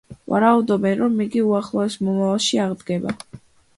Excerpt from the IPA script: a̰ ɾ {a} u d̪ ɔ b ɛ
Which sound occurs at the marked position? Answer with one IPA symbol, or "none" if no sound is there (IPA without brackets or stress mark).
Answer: a